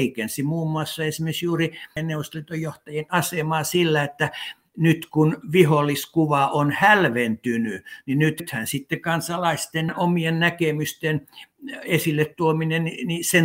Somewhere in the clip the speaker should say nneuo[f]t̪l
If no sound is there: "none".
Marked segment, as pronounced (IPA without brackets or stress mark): s